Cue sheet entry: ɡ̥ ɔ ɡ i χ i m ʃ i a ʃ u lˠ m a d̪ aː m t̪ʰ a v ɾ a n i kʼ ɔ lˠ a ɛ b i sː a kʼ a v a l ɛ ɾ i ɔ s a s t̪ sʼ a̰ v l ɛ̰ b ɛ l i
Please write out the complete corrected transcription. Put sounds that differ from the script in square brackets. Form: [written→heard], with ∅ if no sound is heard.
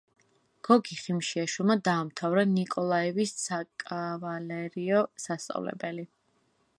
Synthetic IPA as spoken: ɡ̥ ɔ ɡ i χ i m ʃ i a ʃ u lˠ m a d̪ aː m t̪ʰ a v ɾ a n i kʼ ɔ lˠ a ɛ [b→v] i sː a kʼ a v a l ɛ ɾ i ɔ s a s t̪ sʼ a̰ v l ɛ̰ b ɛ l i